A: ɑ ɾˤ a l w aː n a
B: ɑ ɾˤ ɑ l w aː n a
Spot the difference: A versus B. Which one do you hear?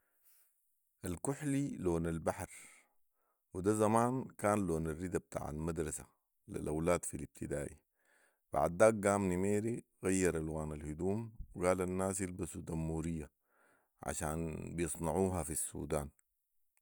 A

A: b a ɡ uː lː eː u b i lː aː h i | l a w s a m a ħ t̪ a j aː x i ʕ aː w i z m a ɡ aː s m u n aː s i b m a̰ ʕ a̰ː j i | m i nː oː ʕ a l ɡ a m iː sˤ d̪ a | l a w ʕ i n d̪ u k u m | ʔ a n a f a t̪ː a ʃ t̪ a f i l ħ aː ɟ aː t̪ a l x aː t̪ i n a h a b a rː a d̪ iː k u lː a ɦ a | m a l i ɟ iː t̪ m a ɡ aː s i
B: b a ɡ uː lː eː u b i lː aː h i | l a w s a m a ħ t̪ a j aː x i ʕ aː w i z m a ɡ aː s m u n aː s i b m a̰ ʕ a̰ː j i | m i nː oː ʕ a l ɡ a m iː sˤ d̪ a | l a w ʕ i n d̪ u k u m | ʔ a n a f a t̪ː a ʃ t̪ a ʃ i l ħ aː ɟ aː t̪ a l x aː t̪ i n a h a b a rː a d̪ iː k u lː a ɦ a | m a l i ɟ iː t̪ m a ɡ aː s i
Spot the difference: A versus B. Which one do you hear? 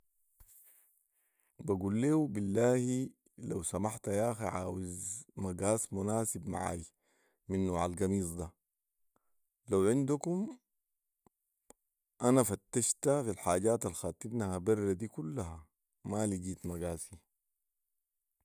A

